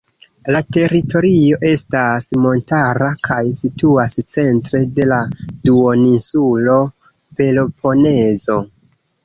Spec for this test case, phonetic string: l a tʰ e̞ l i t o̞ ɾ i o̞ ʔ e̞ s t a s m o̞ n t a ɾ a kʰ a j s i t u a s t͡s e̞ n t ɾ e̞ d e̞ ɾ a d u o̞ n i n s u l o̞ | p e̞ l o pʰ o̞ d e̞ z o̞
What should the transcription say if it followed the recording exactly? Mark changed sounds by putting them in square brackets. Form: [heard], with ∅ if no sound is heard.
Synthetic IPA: l a [t] e̞ [ɾ] i t o̞ ɾ i o̞ ʔ e̞ s t a s m o̞ n t a ɾ a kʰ a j s i t u a s t͡s e̞ n t ɾ e̞ d e̞ [l] a d u o̞ n i n s u l o̞ | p e̞ l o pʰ o̞ [n] e̞ z o̞

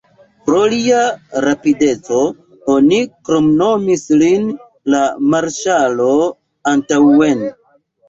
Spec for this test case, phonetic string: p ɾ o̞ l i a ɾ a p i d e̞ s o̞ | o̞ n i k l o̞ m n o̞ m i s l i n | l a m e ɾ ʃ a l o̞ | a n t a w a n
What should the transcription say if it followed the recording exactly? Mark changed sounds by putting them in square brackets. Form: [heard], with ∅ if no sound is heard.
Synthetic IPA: p ɾ o̞ l i a ɾ a p i d e̞ [t͡s] o̞ | o̞ n i k [ɾ] o̞ m n o̞ m i s l i n | l a m [a] ɾ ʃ a l o̞ | a n t a w [e] n

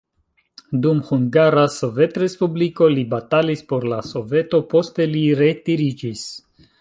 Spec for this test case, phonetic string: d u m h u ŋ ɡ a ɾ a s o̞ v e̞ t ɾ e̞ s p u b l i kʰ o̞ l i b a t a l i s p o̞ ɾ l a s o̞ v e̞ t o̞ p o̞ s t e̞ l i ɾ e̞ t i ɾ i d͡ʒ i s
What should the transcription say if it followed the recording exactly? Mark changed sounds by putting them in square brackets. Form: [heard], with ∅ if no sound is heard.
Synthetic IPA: d u m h u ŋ ɡ a ɾ a s o̞ v e̞ t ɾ e̞ s p u b l i [k] o̞ l i b a t a l i s p o̞ ɾ l a s o̞ v e̞ t o̞ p o̞ s t e̞ l i ɾ e̞ t i ɾ i d͡ʒ i s

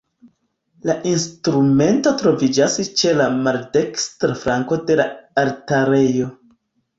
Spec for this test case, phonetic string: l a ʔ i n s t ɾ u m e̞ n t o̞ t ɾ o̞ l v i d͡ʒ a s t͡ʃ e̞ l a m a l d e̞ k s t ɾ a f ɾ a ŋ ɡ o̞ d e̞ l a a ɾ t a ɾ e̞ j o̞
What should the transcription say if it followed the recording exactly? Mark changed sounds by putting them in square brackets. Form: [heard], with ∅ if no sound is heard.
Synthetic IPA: l a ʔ i n s t ɾ u m e̞ n t o̞ t ɾ o̞ [∅] v i d͡ʒ a s t͡ʃ e̞ l a m a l d e̞ k s t ɾ a f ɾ a ŋ [k] o̞ d e̞ l a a ɾ t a ɾ e̞ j o̞

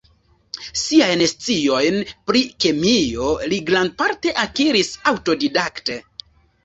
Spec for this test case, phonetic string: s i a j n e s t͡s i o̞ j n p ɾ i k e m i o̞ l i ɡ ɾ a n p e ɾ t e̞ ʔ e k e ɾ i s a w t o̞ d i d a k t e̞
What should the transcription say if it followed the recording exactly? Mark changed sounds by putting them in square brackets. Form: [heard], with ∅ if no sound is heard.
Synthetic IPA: s i a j n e s t͡s i o̞ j n p ɾ i k e m i o̞ l i ɡ ɾ a n p [a] ɾ t e̞ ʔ [a] k [i] ɾ i s a w t o̞ d i d a k t e̞

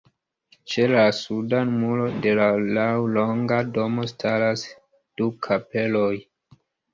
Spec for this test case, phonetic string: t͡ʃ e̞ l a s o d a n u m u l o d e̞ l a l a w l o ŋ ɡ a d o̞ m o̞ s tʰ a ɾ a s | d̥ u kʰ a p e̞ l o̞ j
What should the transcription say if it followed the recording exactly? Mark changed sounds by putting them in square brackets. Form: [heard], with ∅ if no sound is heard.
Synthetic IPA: t͡ʃ e̞ l a s [u] d a n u m u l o d e̞ l a l a w l o ŋ ɡ a d o̞ m o̞ s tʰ a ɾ a s | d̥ u kʰ a p e̞ l o̞ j

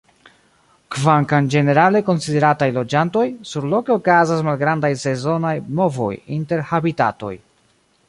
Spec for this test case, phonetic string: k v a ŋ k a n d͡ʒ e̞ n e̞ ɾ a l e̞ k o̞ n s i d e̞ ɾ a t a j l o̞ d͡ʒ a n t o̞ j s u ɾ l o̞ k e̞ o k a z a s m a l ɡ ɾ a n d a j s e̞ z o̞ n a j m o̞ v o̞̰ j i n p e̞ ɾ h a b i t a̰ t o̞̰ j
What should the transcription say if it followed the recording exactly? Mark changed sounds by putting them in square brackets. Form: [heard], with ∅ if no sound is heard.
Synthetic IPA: k v a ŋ k a n d͡ʒ e̞ n e̞ ɾ a l e̞ k o̞ n s i d e̞ ɾ a t a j l o̞ d͡ʒ a n t o̞ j s u ɾ l o̞ k e̞ o k a z a s m a l ɡ ɾ a n d a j s e̞ z o̞ n a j m o̞ v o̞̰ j i n [t] e̞ ɾ h a b i t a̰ t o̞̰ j

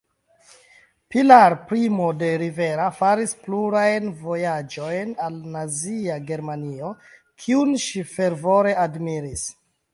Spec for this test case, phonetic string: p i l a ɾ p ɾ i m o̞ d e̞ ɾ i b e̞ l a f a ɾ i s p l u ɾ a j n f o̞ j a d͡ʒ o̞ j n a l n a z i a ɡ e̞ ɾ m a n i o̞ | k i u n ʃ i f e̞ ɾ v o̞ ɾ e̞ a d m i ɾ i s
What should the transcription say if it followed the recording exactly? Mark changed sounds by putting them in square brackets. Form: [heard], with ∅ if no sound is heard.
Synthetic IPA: p i l a ɾ p ɾ i m o̞ d e̞ ɾ i [v] e̞ [ɾ] a f a ɾ i s p l u ɾ a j n [v] o̞ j a d͡ʒ o̞ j n a l n a z i a ɡ e̞ ɾ m a n i o̞ | [kʰ] i u n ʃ i f e̞ ɾ v o̞ ɾ e̞ a d m i ɾ i s

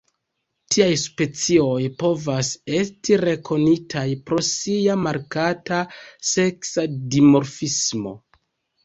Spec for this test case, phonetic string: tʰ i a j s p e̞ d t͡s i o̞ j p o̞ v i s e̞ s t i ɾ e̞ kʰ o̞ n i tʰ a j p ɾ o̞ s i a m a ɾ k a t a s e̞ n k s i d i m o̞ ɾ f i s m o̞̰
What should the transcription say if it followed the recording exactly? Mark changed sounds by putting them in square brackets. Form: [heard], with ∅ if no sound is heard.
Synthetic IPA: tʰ i a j s p e̞ [∅] t͡s i o̞ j p o̞ v [a] s e̞ s t i ɾ e̞ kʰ o̞ n i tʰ a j p ɾ o̞ s i a m a ɾ k a t a s e̞ [∅] k s [a] d i m o̞ ɾ f i s m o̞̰

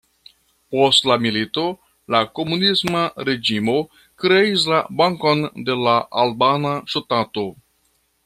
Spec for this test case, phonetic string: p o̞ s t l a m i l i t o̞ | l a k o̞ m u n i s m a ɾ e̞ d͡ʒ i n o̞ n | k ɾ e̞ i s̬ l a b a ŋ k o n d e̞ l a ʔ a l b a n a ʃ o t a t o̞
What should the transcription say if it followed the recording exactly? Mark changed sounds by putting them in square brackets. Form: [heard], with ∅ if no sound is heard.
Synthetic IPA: p o̞ s t l a m i l i t o̞ | l a k o̞ m u n i s m a ɾ e̞ d͡ʒ i [m] o̞ [∅] | k ɾ e̞ i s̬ l a b a ŋ k o n d e̞ l a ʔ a l b a n a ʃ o t a t o̞

